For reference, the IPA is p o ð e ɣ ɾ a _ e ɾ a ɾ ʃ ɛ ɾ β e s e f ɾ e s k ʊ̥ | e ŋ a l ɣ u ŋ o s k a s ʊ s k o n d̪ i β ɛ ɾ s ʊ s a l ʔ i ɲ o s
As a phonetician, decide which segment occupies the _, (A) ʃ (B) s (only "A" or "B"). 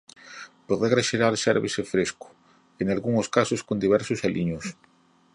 A